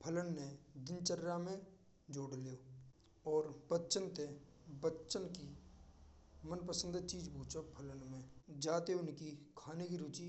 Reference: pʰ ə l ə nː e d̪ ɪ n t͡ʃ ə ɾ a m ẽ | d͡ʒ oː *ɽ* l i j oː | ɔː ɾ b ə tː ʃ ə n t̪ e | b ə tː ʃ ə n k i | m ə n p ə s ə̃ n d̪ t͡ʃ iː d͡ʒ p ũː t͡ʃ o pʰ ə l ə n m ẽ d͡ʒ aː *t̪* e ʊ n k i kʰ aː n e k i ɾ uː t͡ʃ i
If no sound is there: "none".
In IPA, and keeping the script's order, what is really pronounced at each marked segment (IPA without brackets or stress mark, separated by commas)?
ɽ, t̪